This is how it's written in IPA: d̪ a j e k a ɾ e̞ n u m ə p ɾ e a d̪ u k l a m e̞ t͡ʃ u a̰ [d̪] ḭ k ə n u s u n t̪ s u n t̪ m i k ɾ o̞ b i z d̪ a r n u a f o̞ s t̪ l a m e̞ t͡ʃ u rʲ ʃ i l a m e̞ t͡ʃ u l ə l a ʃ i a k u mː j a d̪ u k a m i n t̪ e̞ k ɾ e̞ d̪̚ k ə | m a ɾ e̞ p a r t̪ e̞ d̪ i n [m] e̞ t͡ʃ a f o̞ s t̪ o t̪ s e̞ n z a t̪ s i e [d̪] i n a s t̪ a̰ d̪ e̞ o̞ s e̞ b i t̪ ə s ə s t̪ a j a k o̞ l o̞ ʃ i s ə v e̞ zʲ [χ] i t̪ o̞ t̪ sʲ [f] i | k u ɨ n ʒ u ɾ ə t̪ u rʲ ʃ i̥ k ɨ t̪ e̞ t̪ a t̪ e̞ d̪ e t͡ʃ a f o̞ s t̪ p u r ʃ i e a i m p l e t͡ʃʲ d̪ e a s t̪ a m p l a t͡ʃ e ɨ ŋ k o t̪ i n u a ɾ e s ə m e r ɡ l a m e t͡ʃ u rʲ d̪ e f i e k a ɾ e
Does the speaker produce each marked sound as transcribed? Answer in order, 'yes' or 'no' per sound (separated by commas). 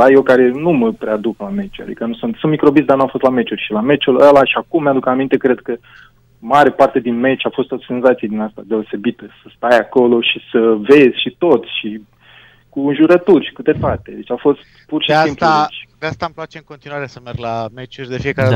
yes, yes, yes, no, no